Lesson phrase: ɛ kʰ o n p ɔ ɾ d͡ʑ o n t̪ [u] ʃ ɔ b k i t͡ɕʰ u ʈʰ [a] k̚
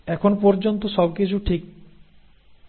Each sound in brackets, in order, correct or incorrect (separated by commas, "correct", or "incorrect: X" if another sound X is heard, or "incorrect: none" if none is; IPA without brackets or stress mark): incorrect: o, incorrect: i